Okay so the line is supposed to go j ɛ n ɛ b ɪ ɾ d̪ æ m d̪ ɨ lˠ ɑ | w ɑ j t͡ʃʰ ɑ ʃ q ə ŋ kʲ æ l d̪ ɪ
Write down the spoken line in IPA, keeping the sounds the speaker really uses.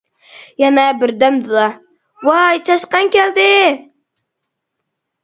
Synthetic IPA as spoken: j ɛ n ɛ b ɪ ɾ d̪ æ m d̪ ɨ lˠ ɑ | w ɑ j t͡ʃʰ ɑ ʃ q ɑ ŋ kʲ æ l d̪ ɪ